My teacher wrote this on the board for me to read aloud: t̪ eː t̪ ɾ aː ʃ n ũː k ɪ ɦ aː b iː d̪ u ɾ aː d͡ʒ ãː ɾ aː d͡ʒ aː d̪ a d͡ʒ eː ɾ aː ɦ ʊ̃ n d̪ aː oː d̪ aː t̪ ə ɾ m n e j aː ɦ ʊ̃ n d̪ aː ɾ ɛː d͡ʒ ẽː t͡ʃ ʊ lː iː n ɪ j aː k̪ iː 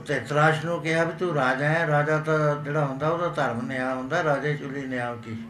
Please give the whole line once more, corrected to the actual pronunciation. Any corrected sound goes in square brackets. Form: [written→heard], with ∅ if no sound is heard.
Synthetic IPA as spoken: t̪ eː t̪ ɾ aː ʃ n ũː k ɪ ɦ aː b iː [d̪→t̪] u ɾ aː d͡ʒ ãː ɾ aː d͡ʒ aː [d̪→t̪] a d͡ʒ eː [ɾ→ɽ] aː ɦ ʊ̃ n d̪ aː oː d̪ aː t̪ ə ɾ m n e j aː ɦ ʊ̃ n d̪ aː ɾ [ɛː→aː] d͡ʒ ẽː t͡ʃ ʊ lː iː n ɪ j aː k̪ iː